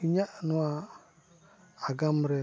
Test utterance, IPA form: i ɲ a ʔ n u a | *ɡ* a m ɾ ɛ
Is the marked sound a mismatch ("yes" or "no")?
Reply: no